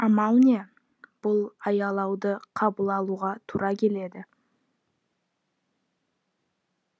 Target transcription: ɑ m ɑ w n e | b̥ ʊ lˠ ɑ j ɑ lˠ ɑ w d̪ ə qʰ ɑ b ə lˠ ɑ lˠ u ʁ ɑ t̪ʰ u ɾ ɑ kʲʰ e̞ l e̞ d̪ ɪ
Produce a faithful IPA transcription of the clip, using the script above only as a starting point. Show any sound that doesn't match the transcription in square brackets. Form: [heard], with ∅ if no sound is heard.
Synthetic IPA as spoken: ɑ m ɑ w n e | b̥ ʊ lˠ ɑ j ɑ lˠ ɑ w d̪ ə qʰ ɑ b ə lˠ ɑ lˠ u ʁ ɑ t̪ʰ u ɾ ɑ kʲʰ e̞ l e̞ d̪ ɪ